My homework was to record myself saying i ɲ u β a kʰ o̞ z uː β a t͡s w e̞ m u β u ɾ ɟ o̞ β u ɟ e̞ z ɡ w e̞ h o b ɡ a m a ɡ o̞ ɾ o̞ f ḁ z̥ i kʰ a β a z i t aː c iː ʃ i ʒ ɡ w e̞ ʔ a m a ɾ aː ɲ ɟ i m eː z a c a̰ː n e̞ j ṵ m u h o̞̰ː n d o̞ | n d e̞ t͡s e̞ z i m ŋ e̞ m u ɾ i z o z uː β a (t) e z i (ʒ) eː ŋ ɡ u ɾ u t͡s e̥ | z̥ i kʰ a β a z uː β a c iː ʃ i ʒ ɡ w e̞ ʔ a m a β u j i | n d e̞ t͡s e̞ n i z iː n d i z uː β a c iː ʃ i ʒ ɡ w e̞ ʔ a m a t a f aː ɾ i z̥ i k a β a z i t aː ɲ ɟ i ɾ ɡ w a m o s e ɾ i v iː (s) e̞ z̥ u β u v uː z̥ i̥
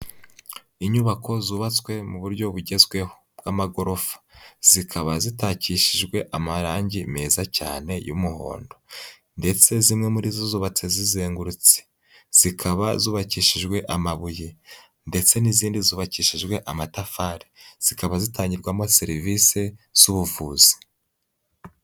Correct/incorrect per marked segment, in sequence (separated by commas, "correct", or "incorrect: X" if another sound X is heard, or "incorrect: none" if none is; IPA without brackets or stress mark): incorrect: t͡s, incorrect: z, correct